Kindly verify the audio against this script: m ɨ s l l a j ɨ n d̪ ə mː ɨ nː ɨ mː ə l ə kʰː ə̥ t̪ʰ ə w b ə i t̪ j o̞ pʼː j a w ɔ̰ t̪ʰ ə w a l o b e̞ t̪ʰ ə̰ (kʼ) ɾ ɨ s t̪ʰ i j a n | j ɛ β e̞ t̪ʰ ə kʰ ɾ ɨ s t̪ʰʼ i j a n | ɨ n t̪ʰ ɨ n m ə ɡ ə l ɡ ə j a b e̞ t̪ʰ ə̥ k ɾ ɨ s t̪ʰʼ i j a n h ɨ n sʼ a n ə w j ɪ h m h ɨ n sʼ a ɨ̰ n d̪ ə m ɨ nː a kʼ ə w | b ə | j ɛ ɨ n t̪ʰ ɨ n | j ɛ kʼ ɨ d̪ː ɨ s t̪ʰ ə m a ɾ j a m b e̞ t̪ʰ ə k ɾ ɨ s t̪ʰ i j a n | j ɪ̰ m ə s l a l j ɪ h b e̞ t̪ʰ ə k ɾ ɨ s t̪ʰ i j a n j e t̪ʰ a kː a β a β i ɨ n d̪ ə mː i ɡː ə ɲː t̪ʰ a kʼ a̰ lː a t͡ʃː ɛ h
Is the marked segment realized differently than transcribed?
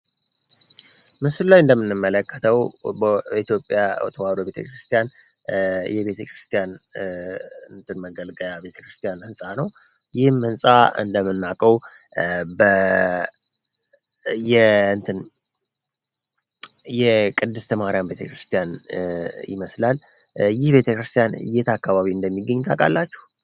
yes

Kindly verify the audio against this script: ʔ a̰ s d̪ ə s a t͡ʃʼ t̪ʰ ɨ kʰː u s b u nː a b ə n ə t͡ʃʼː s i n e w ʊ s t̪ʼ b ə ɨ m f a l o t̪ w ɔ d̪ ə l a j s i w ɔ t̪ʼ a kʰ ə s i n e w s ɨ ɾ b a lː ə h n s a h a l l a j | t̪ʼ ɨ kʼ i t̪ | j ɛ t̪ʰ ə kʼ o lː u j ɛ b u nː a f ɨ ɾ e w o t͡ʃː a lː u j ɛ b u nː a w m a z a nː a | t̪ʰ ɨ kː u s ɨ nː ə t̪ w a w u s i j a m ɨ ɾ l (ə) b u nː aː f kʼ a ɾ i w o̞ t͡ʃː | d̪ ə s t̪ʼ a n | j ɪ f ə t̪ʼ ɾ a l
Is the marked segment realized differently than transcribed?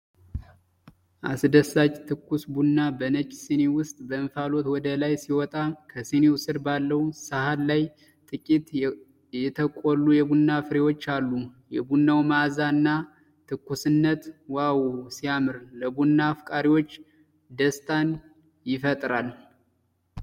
no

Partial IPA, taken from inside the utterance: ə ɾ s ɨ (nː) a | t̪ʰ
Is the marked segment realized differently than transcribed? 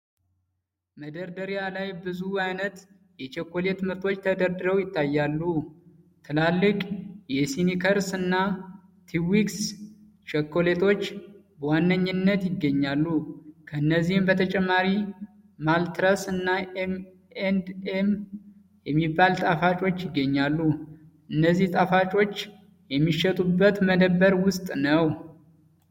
no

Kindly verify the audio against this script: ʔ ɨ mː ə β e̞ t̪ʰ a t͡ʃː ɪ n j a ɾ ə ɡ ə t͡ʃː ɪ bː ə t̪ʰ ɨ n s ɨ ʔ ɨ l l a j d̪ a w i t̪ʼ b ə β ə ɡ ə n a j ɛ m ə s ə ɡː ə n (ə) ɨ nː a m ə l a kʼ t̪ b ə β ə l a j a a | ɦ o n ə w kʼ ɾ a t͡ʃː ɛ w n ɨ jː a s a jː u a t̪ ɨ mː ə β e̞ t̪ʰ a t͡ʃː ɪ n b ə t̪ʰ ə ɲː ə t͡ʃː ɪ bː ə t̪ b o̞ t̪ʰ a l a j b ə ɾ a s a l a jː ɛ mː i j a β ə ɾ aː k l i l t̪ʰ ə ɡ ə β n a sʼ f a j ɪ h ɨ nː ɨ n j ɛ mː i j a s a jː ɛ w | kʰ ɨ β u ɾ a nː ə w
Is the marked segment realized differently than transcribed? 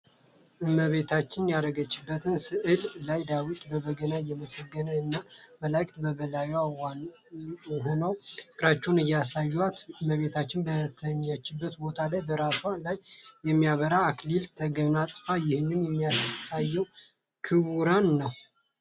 no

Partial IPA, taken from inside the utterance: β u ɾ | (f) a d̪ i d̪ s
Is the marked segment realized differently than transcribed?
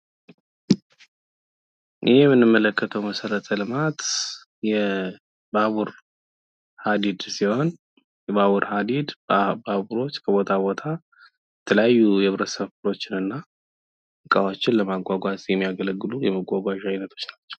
yes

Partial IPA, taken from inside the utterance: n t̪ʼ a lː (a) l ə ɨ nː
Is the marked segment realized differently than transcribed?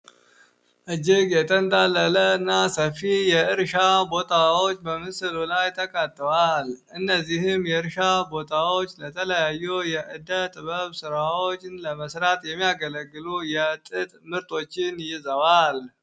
yes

